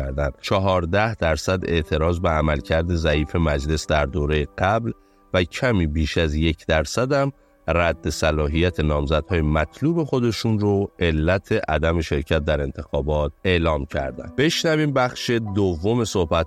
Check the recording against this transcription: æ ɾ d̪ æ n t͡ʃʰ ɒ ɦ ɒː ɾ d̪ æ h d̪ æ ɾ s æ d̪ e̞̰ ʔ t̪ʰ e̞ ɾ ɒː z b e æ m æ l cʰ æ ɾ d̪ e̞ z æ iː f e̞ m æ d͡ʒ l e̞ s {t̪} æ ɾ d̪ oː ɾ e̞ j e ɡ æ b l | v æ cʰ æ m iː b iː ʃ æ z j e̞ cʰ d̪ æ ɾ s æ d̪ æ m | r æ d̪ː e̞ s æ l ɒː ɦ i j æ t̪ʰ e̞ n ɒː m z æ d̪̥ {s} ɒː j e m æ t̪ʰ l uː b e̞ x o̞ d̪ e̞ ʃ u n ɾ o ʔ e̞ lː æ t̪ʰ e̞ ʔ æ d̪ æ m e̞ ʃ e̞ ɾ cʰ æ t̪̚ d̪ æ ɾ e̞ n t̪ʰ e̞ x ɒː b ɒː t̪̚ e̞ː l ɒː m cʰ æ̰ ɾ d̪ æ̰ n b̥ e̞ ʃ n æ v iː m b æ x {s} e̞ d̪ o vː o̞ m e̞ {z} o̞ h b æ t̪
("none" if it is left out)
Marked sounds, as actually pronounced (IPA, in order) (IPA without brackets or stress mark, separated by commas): d̪, h, ʃ, s